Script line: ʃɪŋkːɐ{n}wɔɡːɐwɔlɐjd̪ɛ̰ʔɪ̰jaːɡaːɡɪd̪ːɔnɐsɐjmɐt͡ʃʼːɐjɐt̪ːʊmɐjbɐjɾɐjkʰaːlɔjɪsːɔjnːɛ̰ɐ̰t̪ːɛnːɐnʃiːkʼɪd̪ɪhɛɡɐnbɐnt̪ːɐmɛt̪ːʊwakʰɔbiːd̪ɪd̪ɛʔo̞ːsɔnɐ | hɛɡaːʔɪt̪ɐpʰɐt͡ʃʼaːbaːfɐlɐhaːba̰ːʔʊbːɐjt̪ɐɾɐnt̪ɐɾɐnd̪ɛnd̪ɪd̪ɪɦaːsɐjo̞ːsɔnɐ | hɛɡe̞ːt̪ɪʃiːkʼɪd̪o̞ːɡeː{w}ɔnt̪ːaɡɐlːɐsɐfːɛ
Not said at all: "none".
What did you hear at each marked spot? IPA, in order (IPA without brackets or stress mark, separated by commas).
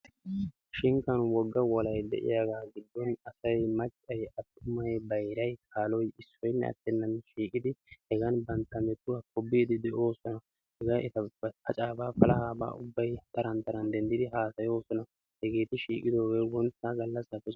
n, w